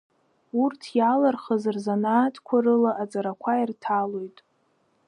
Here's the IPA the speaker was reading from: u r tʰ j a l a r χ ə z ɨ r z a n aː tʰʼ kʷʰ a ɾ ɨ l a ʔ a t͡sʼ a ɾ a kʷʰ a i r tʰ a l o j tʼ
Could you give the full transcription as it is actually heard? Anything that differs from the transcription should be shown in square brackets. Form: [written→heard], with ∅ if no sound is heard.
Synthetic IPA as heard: u r tʰ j a l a r χ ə z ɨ r z a n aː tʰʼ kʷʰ a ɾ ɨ l a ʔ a t͡sʼ a ɾ a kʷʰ a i r tʰ a l o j tʼ